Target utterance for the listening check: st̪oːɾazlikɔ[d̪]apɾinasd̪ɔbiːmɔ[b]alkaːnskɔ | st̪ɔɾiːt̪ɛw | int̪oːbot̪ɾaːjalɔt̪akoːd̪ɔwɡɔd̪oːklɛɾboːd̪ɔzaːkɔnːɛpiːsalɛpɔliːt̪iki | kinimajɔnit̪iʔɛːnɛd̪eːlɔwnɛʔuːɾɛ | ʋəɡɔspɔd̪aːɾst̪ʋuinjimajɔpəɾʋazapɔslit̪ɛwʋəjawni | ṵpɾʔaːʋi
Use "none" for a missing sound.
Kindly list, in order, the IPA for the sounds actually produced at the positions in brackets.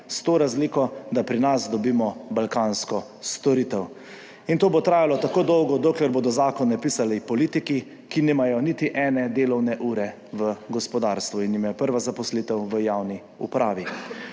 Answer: d̪, b

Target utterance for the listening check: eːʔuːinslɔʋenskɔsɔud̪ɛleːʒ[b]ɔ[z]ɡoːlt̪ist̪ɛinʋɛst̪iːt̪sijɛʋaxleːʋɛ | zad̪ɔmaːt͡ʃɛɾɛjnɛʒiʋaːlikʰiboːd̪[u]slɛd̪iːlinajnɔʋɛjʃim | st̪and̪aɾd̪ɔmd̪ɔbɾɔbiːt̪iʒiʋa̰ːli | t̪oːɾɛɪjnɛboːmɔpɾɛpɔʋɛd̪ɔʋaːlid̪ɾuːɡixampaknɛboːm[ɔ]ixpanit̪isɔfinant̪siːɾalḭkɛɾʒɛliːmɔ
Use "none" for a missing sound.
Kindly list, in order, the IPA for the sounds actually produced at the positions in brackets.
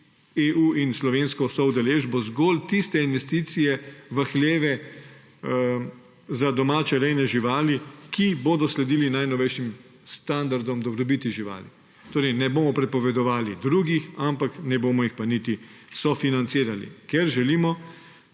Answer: b, z, ɔ, ɔ

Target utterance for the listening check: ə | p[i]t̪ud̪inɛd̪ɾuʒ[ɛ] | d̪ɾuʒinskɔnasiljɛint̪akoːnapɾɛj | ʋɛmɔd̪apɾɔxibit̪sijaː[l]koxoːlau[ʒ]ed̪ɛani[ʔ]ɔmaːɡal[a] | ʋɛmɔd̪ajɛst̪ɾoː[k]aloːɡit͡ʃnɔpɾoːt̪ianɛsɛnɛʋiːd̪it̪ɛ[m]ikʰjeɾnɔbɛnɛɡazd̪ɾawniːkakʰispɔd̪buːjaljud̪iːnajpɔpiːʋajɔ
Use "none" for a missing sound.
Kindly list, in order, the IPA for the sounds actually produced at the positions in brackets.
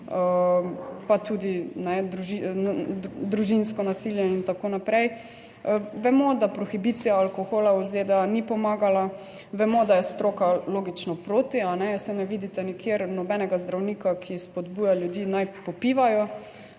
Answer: a, i, l, z, p, a, k, n

